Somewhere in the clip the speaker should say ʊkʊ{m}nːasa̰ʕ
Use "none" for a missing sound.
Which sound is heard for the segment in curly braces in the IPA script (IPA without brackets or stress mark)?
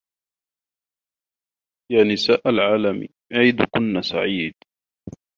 none